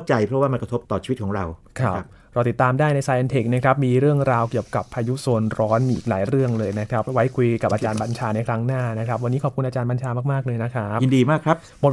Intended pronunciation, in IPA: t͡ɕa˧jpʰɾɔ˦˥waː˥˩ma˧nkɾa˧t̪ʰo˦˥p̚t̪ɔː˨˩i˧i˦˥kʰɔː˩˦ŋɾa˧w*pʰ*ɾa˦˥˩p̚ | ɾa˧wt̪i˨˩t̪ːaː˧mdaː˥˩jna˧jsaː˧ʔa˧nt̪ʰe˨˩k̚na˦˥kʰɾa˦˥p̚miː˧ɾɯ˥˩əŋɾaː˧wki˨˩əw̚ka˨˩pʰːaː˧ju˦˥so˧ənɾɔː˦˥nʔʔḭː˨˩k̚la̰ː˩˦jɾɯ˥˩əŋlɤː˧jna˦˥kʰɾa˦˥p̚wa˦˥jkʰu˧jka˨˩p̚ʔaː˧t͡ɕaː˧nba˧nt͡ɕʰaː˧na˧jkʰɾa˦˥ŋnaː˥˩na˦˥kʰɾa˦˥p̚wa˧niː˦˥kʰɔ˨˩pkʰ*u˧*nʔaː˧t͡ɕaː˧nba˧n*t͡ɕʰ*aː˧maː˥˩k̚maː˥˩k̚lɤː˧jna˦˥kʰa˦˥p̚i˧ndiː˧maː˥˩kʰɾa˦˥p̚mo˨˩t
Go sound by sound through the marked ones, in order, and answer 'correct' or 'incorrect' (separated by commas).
incorrect, correct, correct